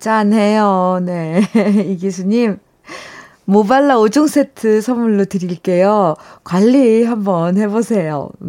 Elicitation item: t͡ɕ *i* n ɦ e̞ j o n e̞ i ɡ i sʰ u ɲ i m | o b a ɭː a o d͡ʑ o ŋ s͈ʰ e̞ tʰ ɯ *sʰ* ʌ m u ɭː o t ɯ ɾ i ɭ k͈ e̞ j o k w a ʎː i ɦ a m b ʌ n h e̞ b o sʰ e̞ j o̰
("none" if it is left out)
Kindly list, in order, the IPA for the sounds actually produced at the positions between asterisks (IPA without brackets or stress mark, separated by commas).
a, sʰ